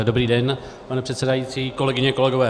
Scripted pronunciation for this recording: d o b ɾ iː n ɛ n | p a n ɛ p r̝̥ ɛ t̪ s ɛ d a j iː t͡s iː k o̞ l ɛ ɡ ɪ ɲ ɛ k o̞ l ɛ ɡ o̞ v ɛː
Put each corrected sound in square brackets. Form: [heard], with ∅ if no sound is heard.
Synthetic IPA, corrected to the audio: d o b ɾ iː [d] ɛ n | p a n ɛ p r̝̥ ɛ t̪ s ɛ d a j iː t͡s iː k o̞ l ɛ ɡ ɪ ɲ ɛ k o̞ l ɛ ɡ o̞ v ɛː